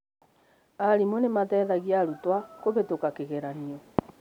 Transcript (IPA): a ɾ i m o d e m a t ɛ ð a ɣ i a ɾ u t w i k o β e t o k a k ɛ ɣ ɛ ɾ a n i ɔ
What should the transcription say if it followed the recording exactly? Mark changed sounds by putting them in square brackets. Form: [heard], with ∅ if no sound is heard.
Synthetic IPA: a ɾ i m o [n] e m a t ɛ ð a ɣ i a ɾ u t w [a] k o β e t o k a k [e] ɣ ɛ ɾ a n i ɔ